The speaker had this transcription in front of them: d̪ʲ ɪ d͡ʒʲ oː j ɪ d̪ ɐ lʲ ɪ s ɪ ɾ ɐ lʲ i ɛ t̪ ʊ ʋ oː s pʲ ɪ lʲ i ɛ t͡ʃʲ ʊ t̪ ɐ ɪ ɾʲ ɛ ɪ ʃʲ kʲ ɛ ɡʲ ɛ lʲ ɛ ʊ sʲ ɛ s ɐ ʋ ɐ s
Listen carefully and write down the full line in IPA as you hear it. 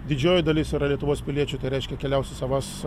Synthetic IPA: d̪ʲ ɪ d͡ʒʲ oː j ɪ d̪ ɐ lʲ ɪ s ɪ ɾ ɐ lʲ i ɛ t̪ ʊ ʋ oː s pʲ ɪ lʲ i ɛ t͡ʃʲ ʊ t̪ ɐ ɪ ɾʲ ɛ ɪ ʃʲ kʲ ɛ kʲ ɛ lʲ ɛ ʊ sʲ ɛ s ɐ ʋ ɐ s